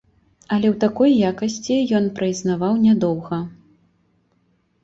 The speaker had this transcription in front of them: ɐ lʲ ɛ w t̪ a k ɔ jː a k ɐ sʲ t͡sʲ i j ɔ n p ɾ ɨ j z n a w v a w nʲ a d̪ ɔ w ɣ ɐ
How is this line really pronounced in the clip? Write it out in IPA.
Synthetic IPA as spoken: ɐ lʲ ɛ w t̪ a k ɔ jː a k ɐ sʲ t͡sʲ i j ɔ n p ɾ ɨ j z n a v a w nʲ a d̪ ɔ w ɣ ɐ